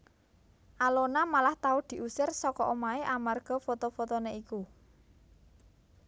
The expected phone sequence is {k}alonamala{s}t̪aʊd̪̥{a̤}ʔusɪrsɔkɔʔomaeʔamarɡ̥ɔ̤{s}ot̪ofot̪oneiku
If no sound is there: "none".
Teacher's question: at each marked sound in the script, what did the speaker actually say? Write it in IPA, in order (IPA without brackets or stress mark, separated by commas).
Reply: ʔ, h, i̤, f